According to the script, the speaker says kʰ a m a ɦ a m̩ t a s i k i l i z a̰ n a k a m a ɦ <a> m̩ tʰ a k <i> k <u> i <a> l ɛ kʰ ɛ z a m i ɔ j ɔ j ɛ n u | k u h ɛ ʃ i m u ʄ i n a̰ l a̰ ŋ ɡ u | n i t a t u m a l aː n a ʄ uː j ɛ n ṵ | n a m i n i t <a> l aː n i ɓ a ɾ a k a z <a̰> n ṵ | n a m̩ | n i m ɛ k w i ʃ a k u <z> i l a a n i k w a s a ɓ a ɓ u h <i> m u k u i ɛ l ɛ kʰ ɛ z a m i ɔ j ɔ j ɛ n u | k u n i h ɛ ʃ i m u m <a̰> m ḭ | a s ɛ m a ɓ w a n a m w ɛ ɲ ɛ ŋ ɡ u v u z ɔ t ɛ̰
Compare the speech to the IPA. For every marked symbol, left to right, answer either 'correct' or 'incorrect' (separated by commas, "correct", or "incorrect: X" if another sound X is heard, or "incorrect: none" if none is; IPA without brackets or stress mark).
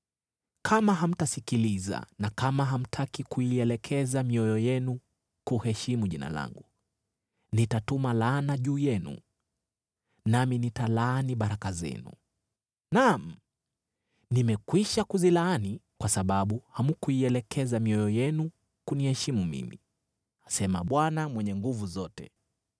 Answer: correct, correct, correct, incorrect: ɛ, correct, incorrect: ɛ̰, correct, incorrect: a, incorrect: ḭ